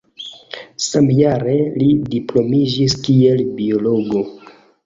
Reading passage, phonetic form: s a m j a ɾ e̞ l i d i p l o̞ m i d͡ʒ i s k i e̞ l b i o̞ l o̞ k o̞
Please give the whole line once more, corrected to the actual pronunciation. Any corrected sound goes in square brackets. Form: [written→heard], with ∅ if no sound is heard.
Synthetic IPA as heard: s a m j a ɾ e̞ l i d i p l o̞ m i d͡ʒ i s k i e̞ l b i o̞ l o̞ [k→ɡ] o̞